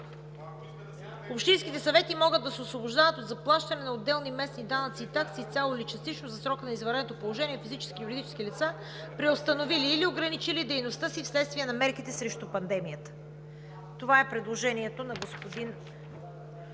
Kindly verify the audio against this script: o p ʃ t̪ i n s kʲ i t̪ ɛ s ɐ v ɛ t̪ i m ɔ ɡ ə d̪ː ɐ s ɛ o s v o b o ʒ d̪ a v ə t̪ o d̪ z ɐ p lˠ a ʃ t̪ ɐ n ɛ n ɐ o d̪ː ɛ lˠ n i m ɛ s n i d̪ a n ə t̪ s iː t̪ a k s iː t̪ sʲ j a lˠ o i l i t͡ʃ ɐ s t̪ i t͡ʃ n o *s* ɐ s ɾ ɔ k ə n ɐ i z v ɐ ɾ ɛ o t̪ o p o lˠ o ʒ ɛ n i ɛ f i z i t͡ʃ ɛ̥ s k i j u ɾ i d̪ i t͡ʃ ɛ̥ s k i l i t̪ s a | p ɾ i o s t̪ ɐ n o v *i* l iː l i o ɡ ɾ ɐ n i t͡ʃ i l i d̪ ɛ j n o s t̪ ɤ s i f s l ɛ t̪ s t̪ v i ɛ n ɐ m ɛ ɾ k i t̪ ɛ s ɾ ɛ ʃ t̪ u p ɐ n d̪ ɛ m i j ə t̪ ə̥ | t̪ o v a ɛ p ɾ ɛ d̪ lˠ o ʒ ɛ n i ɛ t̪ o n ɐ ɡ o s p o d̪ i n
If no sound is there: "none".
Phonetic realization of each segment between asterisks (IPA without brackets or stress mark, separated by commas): z, i